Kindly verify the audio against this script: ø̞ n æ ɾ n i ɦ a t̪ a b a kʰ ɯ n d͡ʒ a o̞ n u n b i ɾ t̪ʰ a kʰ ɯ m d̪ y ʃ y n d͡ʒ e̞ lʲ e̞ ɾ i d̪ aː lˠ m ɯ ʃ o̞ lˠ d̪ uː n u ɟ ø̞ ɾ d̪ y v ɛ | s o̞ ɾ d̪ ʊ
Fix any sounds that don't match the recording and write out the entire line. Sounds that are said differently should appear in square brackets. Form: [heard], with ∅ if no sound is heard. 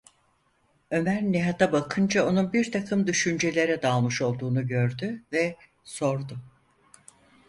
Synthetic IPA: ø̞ [m] æ ɾ n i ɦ a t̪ a b a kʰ ɯ n d͡ʒ a o̞ n u n b i ɾ t̪ʰ a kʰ ɯ m d̪ y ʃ y n d͡ʒ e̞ lʲ e̞ ɾ [ɛ] d̪ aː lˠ m ɯ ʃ o̞ lˠ d̪ uː n u ɟ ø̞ ɾ d̪ y v ɛ | s o̞ ɾ d̪ ʊ